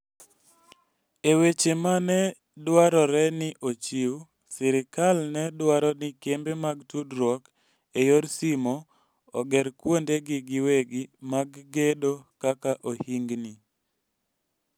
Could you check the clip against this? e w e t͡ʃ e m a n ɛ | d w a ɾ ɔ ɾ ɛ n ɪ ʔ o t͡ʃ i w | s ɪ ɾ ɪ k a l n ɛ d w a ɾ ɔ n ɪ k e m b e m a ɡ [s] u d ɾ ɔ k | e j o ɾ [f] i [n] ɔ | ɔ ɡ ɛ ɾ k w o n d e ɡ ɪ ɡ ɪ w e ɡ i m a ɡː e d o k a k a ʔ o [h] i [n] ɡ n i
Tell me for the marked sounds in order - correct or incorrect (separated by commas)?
incorrect, incorrect, incorrect, correct, incorrect